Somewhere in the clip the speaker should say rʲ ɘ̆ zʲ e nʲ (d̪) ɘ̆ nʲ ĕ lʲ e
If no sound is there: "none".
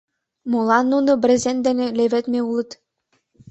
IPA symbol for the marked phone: d̪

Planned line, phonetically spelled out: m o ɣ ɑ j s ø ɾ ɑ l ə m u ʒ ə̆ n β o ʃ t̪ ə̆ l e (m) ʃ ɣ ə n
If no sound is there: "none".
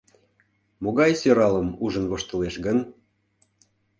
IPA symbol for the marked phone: none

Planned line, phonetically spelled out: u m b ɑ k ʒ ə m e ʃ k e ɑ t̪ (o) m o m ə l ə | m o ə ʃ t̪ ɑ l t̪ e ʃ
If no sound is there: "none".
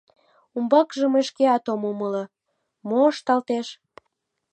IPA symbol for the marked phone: o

